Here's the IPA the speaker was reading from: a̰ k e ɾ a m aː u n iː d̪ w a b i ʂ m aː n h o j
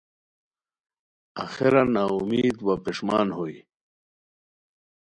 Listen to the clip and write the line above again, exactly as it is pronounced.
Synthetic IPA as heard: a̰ x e ɾ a n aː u m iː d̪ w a p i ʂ m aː n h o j